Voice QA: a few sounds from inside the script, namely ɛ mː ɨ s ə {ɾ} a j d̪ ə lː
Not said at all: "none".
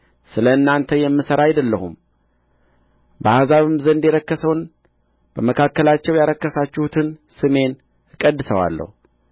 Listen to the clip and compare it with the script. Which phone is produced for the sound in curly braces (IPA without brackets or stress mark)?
ɾ